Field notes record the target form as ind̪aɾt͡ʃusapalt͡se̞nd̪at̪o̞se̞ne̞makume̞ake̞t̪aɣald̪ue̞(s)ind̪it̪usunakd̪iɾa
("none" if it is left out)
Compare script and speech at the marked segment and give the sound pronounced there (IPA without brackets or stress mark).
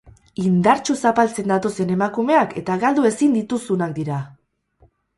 s